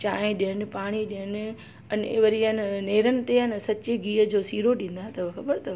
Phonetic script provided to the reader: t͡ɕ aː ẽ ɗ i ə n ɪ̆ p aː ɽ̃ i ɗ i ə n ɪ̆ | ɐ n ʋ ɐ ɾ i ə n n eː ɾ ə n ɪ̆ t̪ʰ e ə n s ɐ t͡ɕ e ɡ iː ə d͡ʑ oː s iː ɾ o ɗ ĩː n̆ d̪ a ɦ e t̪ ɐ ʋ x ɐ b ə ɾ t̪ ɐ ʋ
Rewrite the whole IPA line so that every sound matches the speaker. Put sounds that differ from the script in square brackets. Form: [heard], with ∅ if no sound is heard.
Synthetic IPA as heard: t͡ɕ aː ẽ ɗ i ə n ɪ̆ p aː ɽ̃ i ɗ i ə n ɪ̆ | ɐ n ʋ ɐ ɾ i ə n n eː ɾ ə n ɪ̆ [t̪] e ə n s ɐ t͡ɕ e ɡ iː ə d͡ʑ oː s iː ɾ o ɗ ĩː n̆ d̪ a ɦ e t̪ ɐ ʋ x ɐ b ə ɾ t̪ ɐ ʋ